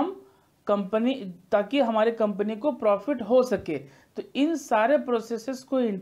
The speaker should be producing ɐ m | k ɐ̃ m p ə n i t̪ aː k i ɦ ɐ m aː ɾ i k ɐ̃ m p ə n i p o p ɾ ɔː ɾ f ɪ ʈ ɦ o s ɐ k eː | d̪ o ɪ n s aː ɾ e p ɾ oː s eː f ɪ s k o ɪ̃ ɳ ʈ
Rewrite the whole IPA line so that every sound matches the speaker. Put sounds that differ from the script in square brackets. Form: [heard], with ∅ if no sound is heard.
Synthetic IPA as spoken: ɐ m | k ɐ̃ m p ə n i t̪ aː k i ɦ ɐ m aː ɾ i k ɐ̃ m p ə n i [k] o p ɾ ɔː [∅] f ɪ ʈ ɦ o s ɐ k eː | [t̪] o ɪ n s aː ɾ e p ɾ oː s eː [s] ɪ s k o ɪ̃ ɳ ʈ